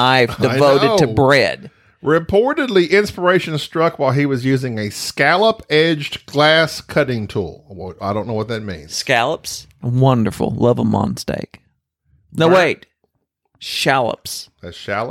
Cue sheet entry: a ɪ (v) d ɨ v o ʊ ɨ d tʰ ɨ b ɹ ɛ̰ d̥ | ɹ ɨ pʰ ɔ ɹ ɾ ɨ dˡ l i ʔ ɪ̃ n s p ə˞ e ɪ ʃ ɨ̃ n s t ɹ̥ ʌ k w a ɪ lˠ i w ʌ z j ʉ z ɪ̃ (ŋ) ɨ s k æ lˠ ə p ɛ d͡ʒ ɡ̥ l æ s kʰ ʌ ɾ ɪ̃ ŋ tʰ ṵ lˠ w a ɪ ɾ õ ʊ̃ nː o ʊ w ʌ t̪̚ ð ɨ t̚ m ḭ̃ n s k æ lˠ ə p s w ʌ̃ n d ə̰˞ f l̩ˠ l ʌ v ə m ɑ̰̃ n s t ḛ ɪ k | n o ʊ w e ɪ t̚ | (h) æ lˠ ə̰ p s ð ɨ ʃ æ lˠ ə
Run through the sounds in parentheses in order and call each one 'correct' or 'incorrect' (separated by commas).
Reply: correct, correct, incorrect